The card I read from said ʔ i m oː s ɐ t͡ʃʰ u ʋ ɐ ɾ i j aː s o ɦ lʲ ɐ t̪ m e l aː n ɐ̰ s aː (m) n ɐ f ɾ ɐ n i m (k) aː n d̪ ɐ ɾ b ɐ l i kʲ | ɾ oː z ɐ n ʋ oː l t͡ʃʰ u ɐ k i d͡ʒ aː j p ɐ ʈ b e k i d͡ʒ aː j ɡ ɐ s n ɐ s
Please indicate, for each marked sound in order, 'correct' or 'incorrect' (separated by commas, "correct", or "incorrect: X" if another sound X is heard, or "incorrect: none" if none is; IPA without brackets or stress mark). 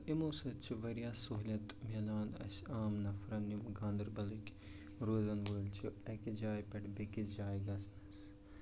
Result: correct, incorrect: ɡ